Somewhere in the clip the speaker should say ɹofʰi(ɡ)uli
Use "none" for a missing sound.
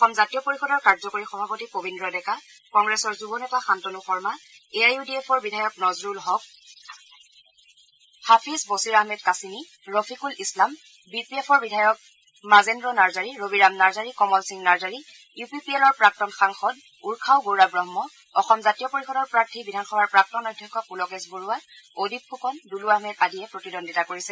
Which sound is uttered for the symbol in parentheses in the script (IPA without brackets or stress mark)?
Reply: k